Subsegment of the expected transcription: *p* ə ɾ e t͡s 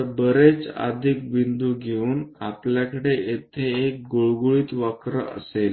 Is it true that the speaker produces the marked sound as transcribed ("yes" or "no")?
no